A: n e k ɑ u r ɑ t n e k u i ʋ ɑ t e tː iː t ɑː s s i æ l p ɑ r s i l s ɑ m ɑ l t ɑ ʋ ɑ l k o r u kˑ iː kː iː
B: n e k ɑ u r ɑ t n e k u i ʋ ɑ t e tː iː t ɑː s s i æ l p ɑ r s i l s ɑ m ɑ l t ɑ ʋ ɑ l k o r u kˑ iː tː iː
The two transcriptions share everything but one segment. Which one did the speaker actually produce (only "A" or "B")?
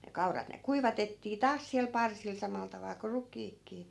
A